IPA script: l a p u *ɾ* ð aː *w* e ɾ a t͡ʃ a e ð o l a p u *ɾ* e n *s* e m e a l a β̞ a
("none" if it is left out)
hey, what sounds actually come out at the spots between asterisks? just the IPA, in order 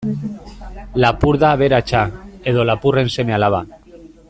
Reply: ɾ, β, r, s

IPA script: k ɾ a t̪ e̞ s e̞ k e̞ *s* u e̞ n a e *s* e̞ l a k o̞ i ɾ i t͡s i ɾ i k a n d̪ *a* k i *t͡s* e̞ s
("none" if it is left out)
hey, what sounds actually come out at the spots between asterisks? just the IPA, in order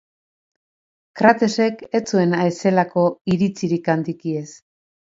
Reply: t͡s, s, i, none

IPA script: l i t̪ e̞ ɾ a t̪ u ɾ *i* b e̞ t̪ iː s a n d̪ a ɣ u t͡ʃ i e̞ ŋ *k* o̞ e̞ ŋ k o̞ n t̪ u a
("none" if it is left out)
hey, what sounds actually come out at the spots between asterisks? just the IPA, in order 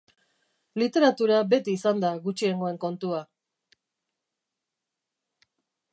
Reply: a, ɡ

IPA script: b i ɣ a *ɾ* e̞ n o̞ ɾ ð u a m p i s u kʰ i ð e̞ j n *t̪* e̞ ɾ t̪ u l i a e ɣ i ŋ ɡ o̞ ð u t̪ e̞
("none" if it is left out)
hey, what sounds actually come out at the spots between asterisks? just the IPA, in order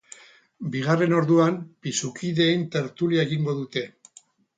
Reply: r, t̪

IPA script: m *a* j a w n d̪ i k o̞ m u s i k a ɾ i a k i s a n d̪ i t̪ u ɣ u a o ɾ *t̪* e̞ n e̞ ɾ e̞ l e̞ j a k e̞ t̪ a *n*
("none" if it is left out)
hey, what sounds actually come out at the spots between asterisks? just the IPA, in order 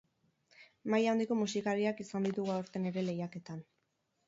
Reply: a, t̪, n

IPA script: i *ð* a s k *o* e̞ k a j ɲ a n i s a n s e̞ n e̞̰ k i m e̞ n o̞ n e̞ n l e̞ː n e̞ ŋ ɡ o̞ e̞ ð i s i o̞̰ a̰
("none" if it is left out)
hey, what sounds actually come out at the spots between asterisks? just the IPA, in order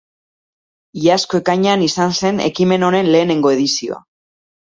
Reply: none, o

